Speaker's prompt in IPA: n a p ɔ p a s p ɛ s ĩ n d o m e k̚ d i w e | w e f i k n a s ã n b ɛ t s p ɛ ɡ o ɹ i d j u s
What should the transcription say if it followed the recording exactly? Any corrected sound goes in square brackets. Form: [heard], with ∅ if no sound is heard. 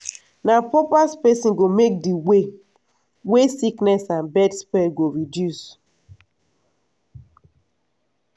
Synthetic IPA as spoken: n a p ɔ p a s p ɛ s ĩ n [ɡ] o m e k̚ d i w e | w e [s] i k n [ɛ] s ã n b ɛ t s p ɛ ɡ o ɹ i d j u s